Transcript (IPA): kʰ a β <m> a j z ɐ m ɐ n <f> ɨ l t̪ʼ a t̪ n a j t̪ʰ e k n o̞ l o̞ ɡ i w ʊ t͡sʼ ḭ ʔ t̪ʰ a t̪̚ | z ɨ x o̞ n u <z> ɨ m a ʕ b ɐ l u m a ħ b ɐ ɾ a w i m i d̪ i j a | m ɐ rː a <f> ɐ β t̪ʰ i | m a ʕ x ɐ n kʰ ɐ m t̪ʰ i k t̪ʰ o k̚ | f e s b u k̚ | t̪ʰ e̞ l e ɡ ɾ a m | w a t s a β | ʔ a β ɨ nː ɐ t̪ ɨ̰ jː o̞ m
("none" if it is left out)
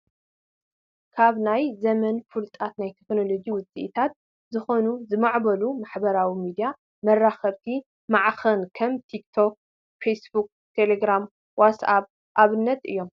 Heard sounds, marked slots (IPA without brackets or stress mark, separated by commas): n, f, z, x